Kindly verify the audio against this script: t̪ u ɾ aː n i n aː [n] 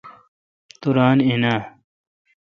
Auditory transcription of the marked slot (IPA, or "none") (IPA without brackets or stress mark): none